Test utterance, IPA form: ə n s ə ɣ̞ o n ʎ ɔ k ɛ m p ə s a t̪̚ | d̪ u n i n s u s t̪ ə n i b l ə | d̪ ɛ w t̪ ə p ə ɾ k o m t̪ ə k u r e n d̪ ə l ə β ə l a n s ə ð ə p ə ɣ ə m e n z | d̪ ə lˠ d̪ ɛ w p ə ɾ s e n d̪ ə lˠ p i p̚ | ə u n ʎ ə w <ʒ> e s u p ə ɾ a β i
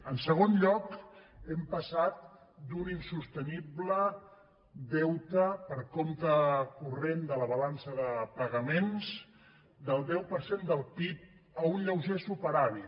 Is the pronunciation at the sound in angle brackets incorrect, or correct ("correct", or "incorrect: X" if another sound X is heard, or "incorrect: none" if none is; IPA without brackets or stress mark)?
correct